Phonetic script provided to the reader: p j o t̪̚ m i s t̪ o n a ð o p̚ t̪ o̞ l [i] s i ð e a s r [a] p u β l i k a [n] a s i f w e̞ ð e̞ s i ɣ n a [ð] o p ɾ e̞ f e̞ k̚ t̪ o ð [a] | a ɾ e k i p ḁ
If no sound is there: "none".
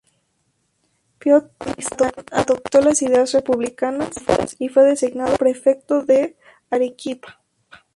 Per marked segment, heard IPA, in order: a, e, n, ð, e

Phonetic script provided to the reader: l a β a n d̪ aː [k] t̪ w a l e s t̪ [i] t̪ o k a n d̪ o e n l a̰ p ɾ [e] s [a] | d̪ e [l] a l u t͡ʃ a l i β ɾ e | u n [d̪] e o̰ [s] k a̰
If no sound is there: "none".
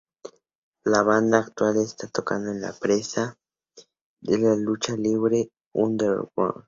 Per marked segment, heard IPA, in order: k, a, e, a, l, d̪, none

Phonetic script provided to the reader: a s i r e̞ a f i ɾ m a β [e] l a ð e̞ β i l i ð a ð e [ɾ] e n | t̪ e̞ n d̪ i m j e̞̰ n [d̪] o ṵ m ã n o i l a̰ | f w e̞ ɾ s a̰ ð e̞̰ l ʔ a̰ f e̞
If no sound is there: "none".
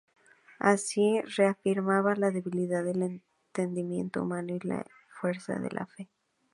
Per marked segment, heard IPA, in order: a, l, t̪

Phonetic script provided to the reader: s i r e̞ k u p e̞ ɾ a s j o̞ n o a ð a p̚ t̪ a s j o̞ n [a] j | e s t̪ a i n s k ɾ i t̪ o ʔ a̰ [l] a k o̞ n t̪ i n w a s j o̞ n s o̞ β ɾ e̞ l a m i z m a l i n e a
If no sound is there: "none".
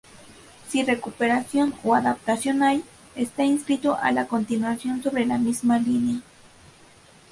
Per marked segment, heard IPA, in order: a, l

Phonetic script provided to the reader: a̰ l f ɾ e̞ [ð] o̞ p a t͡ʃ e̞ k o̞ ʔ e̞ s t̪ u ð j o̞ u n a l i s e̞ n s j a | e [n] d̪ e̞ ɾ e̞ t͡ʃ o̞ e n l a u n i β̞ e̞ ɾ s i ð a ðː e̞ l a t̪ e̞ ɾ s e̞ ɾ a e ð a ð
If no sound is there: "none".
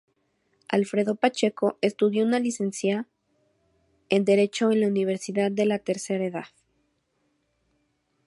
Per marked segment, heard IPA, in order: ð, n

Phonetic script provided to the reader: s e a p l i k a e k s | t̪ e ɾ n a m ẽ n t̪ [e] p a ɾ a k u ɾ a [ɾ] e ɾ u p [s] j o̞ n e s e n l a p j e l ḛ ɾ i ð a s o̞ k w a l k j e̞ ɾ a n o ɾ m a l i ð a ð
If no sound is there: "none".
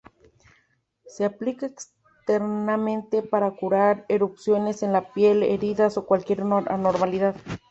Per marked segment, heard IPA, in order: e, ɾ, s

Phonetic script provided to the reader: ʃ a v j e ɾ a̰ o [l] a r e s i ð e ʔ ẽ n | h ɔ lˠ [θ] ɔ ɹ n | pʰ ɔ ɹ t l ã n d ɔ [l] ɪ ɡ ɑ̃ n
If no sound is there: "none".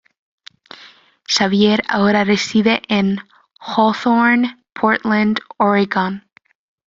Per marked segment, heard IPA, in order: ɾ, θ, ɹ

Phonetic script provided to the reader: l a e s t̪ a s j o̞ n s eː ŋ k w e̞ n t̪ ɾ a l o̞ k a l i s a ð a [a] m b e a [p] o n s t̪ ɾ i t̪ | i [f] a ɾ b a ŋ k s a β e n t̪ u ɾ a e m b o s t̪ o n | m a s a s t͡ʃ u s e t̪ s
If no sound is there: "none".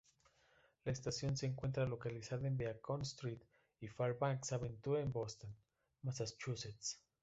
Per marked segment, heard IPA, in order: e, k, f

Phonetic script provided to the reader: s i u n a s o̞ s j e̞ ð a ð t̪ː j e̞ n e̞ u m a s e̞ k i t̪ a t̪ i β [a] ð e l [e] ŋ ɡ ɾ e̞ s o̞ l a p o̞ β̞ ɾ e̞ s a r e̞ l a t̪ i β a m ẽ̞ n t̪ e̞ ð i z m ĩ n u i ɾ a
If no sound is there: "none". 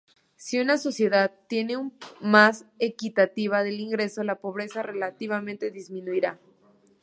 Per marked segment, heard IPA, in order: a, i

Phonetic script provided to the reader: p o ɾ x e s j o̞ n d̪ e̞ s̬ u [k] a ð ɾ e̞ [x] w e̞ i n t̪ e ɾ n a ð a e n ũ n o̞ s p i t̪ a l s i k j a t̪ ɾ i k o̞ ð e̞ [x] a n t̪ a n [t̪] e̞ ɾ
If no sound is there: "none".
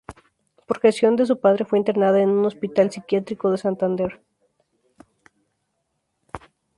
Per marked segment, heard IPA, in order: p, f, s, d̪

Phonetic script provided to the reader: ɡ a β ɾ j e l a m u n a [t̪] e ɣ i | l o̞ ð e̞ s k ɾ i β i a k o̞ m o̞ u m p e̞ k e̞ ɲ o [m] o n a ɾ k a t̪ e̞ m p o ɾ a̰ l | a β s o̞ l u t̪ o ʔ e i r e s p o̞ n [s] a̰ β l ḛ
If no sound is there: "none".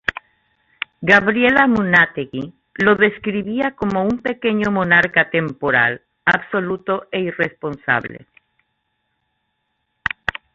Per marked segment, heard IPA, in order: t̪, m, s

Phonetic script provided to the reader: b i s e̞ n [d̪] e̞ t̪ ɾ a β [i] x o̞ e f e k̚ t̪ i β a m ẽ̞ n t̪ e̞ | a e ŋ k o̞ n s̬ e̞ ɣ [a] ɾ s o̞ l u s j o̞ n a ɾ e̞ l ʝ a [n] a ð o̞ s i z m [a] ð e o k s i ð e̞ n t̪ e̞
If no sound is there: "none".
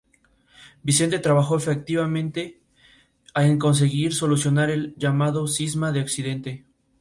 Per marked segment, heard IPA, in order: t̪, a, i, m, a

